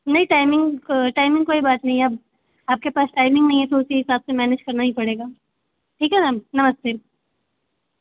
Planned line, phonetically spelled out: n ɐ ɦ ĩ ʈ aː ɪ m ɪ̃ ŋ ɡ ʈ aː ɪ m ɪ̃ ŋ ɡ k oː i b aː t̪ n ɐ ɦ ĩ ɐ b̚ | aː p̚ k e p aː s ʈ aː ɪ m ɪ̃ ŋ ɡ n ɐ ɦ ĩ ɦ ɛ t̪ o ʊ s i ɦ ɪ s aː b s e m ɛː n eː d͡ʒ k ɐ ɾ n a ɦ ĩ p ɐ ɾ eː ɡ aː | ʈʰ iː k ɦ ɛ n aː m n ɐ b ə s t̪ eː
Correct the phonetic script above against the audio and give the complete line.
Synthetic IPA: n ɐ ɦ ĩ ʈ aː ɪ m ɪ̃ ŋ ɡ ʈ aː ɪ m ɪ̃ ŋ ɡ k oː i b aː t̪ n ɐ ɦ ĩ ɐ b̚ | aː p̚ k e p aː s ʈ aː ɪ m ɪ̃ ŋ ɡ n ɐ ɦ ĩ ɦ ɛ t̪ o ʊ s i ɦ ɪ s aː b s e m ɛː n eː d͡ʒ k ɐ ɾ n a ɦ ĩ p ɐ ɽ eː ɡ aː | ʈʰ iː k ɦ ɛ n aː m n ɐ m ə s t̪ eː